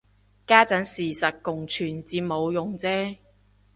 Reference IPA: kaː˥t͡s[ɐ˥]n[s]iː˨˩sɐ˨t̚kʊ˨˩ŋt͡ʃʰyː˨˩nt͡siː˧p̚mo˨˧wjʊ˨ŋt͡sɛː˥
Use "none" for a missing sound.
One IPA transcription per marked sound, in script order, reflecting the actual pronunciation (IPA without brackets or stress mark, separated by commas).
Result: ɐ˨˥, s